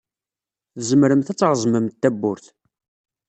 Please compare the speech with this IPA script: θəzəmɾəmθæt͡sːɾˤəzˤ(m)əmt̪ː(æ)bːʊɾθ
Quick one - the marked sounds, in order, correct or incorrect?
correct, correct

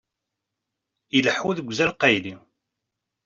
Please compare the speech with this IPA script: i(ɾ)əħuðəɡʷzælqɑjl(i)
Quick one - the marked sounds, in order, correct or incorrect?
incorrect: l, correct

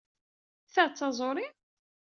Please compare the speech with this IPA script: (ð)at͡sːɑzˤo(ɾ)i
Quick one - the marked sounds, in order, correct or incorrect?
incorrect: θ, correct

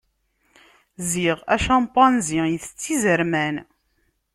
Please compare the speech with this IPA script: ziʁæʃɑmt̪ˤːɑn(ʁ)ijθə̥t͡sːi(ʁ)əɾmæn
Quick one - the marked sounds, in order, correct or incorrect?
incorrect: z, incorrect: z

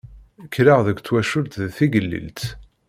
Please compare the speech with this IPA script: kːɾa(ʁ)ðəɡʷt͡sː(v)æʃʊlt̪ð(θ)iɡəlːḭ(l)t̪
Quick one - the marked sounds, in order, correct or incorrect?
correct, incorrect: w, correct, correct

